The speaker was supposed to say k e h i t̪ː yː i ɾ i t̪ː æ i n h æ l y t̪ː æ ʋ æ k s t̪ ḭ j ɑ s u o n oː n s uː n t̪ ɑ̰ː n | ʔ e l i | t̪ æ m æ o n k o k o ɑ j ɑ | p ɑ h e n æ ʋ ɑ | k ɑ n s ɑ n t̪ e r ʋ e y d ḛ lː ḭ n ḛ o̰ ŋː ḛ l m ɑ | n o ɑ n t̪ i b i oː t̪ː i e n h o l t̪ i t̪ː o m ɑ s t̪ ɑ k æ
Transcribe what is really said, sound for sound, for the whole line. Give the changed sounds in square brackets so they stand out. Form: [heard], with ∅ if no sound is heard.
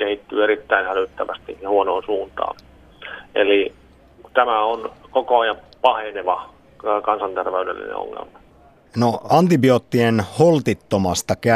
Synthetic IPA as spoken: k e h i t̪ː yː [e] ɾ i t̪ː æ i n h æ l y t̪ː æ ʋ æ [∅] s t̪ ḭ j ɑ [h] u o n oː n s uː n t̪ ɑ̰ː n | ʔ e l i | t̪ æ m æ o n k o k o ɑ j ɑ | p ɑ h e n [e] ʋ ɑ | k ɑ n s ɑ n t̪ e r ʋ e y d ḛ lː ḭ n ḛ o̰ ŋː ḛ l m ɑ | n o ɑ n t̪ i b i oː t̪ː i e n h o l t̪ i t̪ː o m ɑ s t̪ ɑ k æ